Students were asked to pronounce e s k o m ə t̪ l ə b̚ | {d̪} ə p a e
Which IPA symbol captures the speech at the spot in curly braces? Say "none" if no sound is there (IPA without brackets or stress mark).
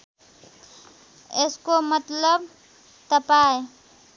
t̪